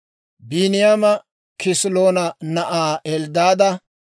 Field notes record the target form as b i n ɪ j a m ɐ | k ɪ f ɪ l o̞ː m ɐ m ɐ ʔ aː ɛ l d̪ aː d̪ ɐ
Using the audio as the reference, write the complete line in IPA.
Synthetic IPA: b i n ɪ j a m ɐ | k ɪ s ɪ l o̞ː n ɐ n ɐ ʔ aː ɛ l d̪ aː d̪ ɐ